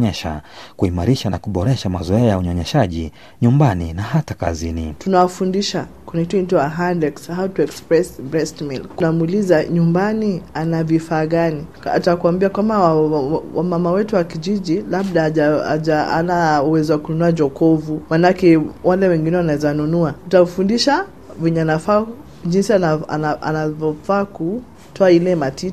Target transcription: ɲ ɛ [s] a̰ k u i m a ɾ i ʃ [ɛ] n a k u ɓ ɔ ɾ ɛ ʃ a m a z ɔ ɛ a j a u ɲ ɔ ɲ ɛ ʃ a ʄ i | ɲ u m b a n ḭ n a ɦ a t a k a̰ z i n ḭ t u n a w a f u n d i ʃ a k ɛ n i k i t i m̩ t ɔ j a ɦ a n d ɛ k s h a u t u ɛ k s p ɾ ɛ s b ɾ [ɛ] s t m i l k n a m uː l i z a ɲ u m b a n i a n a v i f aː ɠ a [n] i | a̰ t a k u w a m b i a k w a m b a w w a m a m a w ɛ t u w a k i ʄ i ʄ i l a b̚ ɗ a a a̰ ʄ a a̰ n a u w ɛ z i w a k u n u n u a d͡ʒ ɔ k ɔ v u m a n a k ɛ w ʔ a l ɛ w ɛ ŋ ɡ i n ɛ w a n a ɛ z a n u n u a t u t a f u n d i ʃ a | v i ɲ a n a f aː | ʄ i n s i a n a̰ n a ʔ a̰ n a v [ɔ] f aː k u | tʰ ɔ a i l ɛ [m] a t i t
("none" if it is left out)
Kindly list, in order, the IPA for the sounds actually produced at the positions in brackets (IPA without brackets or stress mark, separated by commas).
ʃ, a, ɛ, n, ɔ, m